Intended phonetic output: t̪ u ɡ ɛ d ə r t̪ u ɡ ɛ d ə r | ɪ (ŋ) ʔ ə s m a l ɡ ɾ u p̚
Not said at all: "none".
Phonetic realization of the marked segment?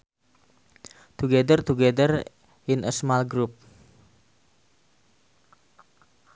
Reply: n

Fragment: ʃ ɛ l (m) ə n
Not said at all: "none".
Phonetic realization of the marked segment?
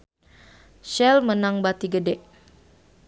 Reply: m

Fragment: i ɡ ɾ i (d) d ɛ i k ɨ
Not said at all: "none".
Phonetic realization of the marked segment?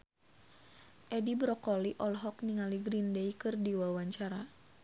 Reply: n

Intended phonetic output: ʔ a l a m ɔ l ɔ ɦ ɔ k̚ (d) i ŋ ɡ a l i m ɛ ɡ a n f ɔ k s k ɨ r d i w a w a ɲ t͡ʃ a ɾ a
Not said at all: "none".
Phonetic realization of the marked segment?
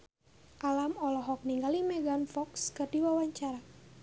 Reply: n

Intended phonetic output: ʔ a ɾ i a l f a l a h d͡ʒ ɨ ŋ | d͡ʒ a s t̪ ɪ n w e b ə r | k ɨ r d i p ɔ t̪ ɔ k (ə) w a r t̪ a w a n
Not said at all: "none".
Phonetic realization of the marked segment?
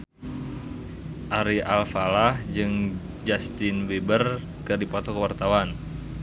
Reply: ə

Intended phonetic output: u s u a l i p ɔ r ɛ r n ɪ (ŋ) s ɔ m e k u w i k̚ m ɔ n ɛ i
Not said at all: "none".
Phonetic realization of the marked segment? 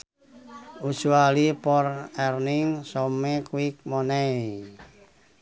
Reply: ŋ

